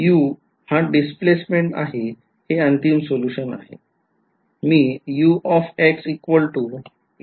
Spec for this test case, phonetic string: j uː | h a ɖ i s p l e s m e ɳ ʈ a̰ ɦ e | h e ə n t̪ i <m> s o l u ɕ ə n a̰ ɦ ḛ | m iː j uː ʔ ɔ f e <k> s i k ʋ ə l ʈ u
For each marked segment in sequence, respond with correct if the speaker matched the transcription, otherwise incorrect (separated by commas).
correct, correct